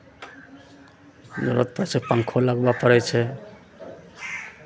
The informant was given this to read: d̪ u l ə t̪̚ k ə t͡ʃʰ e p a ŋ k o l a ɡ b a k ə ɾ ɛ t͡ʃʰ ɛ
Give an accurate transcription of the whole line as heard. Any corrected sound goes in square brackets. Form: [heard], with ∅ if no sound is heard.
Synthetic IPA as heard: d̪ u [ɾ] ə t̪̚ [p] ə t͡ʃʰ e p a ŋ [kʰ] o l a ɡ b a [p] ə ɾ ɛ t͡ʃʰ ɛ